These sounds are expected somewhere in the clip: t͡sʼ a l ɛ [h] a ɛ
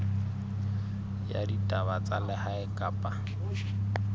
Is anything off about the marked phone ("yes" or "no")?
no